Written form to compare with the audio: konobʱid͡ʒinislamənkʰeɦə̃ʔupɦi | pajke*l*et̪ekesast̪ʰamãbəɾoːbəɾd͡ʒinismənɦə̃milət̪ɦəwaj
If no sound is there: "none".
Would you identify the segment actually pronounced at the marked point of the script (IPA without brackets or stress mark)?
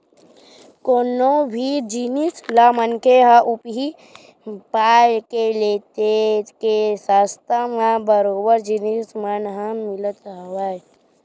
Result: l